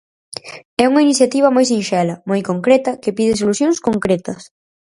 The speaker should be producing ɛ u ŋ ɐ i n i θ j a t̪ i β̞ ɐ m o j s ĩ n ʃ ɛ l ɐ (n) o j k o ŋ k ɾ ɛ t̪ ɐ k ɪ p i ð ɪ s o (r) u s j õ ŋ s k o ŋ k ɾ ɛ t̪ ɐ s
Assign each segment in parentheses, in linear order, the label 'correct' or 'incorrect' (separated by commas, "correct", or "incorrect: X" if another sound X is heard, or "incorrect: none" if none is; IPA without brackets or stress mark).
incorrect: m, incorrect: l